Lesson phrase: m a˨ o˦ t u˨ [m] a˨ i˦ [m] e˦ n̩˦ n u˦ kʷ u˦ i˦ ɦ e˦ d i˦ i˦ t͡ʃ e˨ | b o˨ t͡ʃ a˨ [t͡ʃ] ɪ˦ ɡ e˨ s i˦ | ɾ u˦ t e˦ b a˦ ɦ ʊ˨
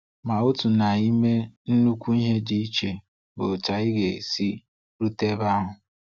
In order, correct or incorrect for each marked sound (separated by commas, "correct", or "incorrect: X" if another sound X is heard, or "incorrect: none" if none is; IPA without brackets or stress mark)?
incorrect: n, correct, incorrect: none